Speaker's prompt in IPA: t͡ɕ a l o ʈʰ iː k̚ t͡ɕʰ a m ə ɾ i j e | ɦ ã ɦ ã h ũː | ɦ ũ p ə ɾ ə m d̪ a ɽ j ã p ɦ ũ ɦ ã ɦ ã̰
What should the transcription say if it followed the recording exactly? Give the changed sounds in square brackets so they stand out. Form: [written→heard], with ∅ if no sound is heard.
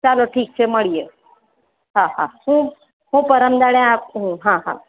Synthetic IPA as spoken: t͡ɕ a l o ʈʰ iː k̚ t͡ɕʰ [a→e] m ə [ɾ→ɭ] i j e | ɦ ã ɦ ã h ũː | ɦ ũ p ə ɾ ə m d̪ a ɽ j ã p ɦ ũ ɦ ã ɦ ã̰